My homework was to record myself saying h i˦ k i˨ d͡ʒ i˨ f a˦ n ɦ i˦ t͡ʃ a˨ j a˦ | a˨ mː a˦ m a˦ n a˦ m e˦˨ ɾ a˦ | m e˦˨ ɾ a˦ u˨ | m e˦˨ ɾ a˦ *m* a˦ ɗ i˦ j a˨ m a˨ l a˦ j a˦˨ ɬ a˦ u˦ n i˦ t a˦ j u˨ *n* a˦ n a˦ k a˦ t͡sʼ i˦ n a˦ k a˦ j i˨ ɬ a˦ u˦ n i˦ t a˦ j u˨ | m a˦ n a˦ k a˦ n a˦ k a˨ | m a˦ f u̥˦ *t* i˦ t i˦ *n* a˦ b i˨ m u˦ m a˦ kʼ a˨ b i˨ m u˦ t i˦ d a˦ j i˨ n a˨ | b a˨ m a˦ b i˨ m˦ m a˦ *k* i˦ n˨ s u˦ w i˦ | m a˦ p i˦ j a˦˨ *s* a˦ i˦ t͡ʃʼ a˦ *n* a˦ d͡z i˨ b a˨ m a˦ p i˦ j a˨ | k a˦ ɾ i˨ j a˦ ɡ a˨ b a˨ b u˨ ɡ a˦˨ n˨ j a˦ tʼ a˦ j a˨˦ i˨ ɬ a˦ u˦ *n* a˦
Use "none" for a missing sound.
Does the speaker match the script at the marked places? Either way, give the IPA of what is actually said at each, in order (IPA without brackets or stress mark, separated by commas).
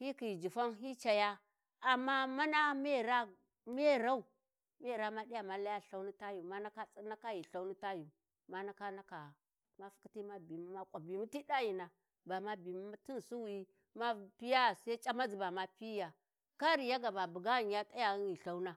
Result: m, m, k, m, t, s, m, n